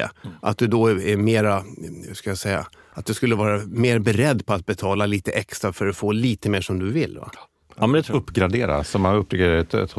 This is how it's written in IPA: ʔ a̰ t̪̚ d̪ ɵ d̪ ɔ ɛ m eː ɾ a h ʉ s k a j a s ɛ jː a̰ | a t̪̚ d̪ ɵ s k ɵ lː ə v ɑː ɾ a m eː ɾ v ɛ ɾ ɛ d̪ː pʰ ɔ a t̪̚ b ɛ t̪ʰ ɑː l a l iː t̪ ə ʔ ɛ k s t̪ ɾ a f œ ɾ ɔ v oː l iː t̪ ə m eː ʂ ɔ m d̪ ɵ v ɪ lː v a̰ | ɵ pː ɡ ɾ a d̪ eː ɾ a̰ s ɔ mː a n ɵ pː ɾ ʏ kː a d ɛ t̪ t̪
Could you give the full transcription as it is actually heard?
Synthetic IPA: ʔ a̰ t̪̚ d̪ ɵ d̪ ɔ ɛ m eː ɾ a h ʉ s k a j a s ɛ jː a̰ | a t̪̚ d̪ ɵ s k ɵ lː ə v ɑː ɾ a m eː ɾ b ɛ ɾ ɛ d̪ː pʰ ɔ a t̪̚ b ɛ t̪ʰ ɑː l a l iː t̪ ə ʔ ɛ k s t̪ ɾ a f œ ɾ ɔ f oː l iː t̪ ə m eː ʂ ɔ m d̪ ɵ v ɪ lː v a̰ | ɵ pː ɡ ɾ a d̪ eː ɾ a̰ s ɔ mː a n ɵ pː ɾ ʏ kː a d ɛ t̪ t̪